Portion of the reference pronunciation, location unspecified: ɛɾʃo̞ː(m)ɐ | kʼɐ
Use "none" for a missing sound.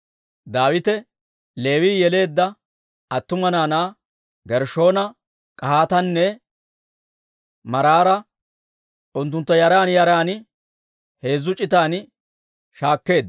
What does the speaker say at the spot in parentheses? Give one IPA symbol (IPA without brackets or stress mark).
n